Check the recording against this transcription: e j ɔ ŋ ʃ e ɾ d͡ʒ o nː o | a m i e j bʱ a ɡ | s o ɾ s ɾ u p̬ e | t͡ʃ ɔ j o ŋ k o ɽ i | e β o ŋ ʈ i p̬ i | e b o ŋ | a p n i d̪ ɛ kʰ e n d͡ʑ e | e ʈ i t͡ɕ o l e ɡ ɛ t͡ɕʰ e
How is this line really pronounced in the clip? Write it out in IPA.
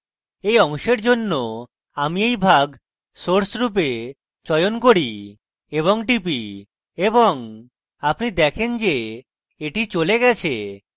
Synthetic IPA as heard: e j ɔ ŋ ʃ e ɾ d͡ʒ o nː o | a m i e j bʱ a ɡ | s o ɾ s ɾ u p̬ e | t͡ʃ ɔ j o n k o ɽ i | e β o ŋ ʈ i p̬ i | e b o ŋ | a p n i d̪ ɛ kʰ e n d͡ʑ e | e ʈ i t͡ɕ o l e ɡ ɛ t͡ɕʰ e